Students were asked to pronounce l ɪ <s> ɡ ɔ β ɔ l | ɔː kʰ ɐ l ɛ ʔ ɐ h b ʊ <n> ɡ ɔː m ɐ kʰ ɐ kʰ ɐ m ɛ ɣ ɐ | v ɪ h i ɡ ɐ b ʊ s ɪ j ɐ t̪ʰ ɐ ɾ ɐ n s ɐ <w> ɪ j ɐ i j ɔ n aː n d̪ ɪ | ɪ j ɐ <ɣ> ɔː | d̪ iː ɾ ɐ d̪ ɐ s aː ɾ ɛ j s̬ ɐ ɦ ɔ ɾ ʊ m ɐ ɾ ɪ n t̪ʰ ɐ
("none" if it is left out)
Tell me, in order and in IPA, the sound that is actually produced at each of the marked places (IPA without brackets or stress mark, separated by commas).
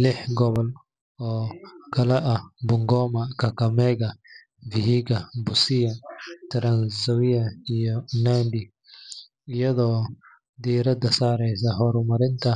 ħ, ŋ, w, ð